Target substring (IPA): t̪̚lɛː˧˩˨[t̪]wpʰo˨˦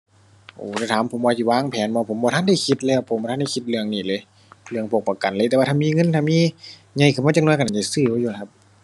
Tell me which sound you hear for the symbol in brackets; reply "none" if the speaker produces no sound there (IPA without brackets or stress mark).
none